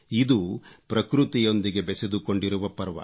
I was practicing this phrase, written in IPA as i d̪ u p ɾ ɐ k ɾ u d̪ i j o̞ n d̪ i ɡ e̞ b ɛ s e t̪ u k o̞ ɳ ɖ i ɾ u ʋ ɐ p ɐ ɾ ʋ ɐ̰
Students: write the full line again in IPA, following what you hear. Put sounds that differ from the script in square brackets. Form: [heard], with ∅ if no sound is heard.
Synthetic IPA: i d̪ u p ɾ ɐ k ɾ u [t̪] i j o̞ n d̪ i ɡ e̞ b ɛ s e [d̪] u k o̞ ɳ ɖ i ɾ u ʋ ɐ p ɐ ɾ ʋ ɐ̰